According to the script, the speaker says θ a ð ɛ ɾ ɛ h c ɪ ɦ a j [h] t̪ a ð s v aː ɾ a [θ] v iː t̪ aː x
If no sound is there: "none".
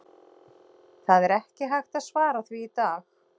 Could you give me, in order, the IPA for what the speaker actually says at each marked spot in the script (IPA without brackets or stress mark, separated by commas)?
x, θ